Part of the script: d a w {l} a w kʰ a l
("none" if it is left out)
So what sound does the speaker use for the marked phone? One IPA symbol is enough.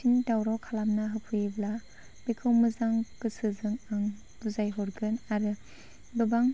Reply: ɾ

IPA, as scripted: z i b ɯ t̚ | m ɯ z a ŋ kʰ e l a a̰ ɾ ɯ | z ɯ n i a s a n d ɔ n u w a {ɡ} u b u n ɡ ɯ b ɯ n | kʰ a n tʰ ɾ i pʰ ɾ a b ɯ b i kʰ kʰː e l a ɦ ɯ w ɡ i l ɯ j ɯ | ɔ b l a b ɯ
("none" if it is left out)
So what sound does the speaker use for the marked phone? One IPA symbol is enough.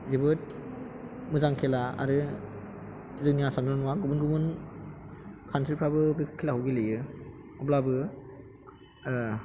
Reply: ɡ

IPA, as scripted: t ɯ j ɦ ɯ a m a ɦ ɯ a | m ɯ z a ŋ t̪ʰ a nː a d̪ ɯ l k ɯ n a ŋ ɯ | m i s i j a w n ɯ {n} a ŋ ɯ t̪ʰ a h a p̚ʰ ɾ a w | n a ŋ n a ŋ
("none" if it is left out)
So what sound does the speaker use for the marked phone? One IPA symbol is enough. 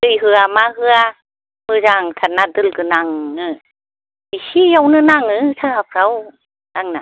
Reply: n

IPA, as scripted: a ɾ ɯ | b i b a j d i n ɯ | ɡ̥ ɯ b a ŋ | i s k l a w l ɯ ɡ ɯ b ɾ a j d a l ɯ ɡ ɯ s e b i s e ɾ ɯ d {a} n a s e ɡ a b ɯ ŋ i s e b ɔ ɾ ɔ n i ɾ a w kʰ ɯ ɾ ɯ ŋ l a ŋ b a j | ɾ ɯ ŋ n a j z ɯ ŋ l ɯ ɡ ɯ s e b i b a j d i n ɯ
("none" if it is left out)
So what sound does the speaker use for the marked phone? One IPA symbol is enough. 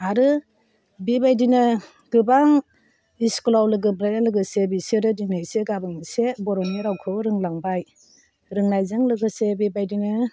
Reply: i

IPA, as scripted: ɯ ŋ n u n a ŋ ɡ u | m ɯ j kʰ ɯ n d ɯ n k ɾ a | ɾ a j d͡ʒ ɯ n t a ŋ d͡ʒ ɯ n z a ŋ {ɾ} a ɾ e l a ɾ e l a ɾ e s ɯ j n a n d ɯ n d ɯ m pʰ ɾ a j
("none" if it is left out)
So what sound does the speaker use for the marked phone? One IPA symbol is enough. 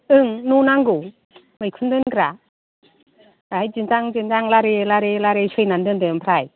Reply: l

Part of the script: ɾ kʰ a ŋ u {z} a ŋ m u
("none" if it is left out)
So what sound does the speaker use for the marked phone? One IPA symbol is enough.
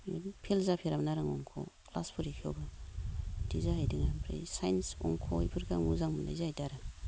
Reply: z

